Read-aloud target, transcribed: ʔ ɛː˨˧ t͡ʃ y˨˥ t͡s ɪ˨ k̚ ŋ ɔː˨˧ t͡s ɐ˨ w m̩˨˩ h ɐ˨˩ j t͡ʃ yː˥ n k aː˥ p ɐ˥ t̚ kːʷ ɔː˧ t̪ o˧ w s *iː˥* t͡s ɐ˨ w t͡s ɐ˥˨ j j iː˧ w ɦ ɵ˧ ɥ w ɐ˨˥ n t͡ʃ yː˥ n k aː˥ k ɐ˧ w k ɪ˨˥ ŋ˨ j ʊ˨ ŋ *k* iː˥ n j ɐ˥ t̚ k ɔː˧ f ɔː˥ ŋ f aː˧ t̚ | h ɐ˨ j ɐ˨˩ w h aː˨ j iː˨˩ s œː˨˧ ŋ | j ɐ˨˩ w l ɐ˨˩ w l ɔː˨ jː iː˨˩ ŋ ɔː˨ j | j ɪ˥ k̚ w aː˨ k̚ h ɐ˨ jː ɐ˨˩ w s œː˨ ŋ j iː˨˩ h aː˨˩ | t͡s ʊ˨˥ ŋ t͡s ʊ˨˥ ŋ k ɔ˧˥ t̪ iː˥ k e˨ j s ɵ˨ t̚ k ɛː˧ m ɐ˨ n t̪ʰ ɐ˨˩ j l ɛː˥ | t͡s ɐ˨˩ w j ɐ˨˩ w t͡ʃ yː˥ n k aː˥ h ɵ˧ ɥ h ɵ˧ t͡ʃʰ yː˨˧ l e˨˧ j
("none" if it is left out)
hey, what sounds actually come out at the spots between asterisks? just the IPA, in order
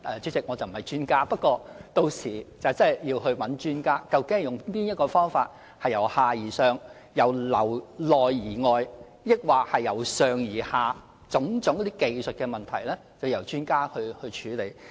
iː˨˩, p

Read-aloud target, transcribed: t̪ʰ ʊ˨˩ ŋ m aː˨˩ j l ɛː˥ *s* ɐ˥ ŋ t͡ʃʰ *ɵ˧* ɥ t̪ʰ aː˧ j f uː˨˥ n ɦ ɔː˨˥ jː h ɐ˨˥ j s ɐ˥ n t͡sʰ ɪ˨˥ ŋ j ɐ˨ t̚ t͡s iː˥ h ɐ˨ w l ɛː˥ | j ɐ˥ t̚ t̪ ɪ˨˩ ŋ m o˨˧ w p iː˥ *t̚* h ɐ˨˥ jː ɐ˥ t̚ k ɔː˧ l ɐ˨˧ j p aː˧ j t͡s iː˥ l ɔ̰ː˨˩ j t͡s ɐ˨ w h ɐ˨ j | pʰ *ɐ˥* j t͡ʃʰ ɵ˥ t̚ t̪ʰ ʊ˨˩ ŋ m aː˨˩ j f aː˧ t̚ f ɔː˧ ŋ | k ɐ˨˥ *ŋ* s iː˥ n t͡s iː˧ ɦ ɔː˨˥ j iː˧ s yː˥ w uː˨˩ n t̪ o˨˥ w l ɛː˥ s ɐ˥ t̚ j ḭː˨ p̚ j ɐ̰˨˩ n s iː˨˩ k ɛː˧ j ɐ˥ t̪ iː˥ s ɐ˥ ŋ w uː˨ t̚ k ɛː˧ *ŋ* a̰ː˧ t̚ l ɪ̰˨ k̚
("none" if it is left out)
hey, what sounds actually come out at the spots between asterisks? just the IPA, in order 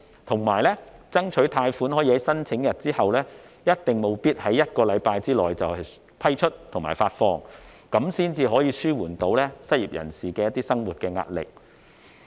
t͡s, ɵ˨˥, t̚, ɐ˥, m, ŋ

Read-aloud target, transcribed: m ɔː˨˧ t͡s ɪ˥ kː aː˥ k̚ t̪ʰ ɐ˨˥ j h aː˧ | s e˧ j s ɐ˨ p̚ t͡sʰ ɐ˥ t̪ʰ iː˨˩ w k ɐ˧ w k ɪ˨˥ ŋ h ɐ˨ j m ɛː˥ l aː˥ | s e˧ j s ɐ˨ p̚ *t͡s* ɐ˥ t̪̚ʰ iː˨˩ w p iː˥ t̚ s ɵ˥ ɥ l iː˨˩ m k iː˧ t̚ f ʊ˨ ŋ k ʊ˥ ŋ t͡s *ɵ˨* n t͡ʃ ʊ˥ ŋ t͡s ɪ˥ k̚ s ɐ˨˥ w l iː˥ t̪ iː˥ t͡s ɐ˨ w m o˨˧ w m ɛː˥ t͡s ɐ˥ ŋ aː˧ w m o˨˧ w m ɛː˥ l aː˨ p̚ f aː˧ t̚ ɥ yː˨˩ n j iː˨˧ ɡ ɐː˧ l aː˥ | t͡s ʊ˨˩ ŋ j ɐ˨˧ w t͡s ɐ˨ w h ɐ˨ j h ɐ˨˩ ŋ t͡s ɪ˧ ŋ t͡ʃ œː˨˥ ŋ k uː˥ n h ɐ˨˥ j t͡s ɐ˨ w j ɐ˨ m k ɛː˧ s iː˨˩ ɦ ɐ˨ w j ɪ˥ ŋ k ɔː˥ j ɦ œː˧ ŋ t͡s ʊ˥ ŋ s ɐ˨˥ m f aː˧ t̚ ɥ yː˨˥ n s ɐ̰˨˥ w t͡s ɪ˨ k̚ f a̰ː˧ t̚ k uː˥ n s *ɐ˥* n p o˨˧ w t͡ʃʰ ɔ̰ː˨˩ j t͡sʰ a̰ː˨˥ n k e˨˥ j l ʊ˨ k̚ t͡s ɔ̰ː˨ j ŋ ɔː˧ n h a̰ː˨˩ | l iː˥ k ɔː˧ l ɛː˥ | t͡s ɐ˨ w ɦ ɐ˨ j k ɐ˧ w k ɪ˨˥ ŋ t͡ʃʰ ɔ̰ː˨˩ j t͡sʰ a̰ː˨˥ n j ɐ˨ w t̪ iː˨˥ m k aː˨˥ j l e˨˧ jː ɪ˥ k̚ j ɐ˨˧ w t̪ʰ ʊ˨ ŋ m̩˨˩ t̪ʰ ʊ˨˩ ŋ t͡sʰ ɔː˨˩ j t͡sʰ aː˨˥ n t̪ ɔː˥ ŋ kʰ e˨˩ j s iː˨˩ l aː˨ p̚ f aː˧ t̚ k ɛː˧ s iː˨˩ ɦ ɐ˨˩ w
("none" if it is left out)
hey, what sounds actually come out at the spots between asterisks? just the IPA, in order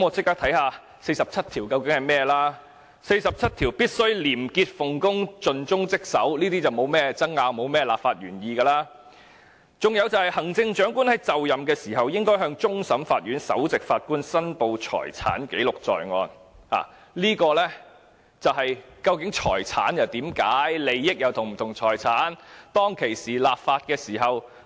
t͡sʰ, ɵ˨, ɐ˥

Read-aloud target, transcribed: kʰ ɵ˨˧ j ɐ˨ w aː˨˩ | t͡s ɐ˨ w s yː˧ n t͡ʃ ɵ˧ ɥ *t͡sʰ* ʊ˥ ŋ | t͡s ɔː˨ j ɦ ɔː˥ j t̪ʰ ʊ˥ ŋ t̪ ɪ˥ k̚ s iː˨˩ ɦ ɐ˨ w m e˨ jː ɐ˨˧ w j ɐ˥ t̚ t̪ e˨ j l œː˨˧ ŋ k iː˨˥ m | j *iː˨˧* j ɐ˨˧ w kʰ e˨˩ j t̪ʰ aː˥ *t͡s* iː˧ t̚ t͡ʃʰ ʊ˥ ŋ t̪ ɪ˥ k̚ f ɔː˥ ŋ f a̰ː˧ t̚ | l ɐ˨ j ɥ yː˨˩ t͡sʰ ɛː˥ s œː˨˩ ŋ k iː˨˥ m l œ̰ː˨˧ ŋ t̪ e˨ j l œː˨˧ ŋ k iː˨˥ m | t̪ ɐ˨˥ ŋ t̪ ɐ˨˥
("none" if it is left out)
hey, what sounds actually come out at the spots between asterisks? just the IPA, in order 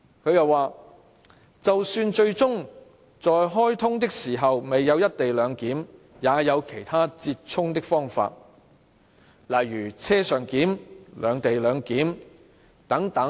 t͡s, aː˨˧, t͡s

